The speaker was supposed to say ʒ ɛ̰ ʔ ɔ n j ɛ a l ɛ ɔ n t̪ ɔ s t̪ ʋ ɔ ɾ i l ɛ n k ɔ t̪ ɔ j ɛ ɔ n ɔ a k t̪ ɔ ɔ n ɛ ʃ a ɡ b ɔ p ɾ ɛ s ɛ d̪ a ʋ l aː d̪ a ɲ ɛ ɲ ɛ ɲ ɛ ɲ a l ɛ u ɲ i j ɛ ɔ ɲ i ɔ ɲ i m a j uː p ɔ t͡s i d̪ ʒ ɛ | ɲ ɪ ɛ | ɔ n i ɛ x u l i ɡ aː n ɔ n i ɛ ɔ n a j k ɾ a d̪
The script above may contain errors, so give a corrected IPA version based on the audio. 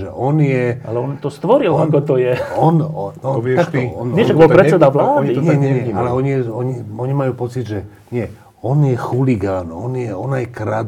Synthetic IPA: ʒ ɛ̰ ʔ ɔ n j ɛ a l ɛ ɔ n t̪ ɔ s t̪ ʋ ɔ ɾ i l a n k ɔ t̪ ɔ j ɛ ɔ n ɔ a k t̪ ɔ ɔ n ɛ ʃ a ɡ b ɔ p ɾ ɛ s ɛ d̪ a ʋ l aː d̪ i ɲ ɛ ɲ ɛ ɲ ɛ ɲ a l ɛ ɔ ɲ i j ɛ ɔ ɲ i ɔ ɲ i m a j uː p ɔ t͡s i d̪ ʒ ɛ | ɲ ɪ ɛ | ɔ n j ɛ x u l i ɡ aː n ɔ n j ɛ ɔ n a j k ɾ a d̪